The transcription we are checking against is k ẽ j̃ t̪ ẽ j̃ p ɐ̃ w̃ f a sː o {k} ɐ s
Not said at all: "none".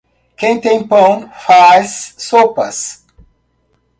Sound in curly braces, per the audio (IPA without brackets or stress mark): p